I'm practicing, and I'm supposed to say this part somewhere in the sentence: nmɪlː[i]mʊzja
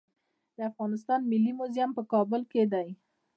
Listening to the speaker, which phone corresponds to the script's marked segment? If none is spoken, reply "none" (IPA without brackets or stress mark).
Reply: i